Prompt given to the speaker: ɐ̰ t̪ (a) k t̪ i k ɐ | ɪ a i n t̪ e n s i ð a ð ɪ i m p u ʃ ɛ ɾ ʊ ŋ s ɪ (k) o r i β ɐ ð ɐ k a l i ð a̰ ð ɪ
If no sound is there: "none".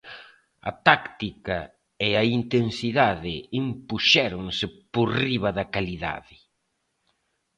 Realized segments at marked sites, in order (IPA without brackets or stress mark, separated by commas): a, p